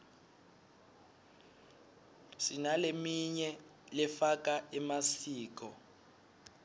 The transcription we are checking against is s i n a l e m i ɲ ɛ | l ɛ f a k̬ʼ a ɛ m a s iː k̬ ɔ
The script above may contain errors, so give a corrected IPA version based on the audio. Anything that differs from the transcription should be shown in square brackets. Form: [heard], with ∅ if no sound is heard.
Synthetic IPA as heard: s i n a l e m i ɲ ɛ | l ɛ f a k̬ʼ a ɛ m a s iː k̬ ɔ